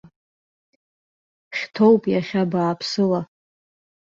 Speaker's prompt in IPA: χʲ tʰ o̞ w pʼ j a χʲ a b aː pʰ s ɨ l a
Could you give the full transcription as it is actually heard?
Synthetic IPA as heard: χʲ tʰ o̞ w pʼ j a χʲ a b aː pʰ s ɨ l a